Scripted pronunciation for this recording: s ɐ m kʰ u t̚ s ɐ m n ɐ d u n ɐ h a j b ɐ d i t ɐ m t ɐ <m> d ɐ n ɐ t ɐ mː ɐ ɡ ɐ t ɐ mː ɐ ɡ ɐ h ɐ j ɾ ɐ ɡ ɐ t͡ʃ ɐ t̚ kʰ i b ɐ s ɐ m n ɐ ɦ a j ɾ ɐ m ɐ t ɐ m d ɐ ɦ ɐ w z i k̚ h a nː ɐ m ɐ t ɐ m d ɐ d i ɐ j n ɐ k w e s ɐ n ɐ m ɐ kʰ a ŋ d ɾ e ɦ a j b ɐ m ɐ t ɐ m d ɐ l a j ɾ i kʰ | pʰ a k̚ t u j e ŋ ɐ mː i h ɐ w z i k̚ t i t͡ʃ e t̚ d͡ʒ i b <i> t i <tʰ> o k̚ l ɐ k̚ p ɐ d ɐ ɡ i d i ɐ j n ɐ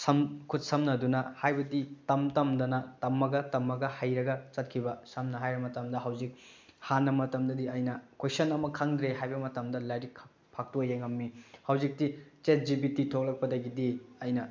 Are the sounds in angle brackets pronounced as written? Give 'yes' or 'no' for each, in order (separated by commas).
yes, yes, yes